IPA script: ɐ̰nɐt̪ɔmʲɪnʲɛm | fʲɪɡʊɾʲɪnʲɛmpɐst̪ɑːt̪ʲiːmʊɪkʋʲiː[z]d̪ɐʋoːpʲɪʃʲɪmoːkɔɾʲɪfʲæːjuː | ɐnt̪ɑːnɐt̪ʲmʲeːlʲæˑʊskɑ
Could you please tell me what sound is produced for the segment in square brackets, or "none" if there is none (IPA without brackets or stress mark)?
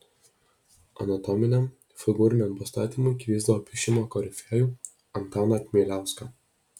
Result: z